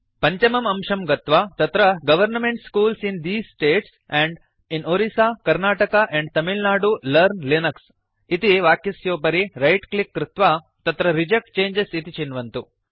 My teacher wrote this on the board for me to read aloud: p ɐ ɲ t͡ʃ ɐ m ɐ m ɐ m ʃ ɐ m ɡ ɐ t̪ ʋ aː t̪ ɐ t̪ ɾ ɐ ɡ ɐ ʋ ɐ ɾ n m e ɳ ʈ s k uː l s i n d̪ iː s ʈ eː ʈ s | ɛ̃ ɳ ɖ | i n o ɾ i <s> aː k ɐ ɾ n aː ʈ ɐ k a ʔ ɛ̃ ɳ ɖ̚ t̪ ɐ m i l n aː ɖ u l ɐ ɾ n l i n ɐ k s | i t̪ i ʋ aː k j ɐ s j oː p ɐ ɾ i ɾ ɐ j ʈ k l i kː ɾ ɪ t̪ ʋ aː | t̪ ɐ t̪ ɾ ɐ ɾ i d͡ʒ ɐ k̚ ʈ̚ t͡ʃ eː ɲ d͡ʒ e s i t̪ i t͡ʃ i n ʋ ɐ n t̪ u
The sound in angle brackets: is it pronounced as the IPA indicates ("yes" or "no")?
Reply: yes